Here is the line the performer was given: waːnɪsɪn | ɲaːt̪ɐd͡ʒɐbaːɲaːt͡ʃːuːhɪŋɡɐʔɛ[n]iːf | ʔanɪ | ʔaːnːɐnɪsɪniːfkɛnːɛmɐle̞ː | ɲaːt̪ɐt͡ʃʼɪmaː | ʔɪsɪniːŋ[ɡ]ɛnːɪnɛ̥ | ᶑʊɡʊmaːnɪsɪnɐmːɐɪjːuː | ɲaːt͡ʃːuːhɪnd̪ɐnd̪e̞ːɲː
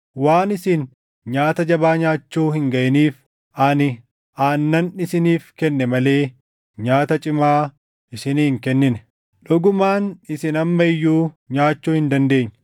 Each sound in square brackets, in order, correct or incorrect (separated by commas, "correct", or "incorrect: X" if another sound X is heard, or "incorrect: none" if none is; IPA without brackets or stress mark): correct, incorrect: k